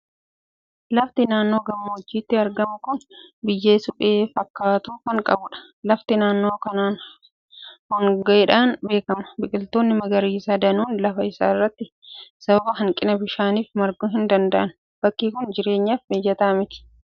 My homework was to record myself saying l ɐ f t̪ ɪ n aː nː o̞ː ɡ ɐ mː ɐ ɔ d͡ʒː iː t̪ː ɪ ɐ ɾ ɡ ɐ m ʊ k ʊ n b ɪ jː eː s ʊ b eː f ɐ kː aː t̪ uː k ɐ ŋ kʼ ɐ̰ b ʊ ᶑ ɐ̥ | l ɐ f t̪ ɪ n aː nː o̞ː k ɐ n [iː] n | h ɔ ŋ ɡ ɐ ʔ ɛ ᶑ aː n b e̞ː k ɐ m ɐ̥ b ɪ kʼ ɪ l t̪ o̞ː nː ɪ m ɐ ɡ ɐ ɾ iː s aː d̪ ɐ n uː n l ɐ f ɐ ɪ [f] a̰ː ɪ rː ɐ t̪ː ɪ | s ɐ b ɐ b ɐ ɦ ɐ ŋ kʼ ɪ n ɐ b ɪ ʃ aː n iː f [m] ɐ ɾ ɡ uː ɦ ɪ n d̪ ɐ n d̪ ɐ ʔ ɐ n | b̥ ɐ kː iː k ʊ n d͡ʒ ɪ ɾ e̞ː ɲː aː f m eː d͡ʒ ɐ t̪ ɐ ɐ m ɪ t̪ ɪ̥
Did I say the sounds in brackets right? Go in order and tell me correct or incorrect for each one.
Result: incorrect: aː, incorrect: s, correct

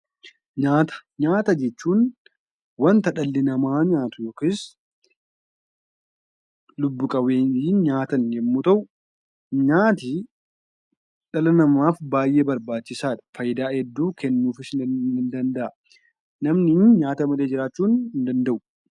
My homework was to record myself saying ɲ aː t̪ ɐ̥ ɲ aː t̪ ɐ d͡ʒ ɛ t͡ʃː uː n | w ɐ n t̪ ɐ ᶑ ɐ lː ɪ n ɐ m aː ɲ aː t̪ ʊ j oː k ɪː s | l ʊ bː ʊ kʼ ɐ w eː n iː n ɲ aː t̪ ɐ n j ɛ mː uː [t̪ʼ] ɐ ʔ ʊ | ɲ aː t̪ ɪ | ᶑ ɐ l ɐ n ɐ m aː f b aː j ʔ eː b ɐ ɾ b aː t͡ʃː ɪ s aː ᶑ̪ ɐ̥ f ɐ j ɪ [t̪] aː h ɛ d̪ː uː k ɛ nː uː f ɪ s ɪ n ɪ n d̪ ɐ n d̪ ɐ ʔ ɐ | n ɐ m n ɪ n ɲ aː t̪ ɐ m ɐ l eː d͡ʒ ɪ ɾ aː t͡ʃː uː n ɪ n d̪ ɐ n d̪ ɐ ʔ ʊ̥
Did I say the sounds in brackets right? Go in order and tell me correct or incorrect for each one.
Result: incorrect: t̪, incorrect: d̪

